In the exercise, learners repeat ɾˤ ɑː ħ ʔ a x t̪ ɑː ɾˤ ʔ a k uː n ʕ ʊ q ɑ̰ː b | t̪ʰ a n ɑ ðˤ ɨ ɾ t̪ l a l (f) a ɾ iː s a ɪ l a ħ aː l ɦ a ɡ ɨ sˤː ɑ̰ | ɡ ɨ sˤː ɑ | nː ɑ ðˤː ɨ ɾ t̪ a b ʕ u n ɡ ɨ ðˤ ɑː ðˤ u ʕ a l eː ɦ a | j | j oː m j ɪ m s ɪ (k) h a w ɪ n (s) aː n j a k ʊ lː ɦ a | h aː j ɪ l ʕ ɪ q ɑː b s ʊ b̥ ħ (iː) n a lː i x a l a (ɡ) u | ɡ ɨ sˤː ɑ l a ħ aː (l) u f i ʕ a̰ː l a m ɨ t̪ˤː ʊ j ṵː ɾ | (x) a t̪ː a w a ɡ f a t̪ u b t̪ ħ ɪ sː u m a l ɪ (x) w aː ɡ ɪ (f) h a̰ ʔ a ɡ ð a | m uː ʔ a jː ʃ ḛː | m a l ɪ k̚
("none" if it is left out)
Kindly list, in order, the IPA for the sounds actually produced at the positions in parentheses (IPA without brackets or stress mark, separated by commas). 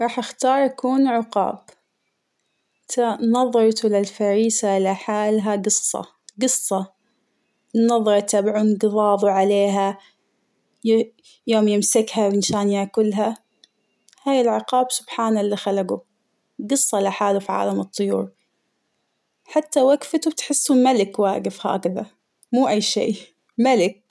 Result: f, k, ʃ, aː, ɡ, l, ħ, k, f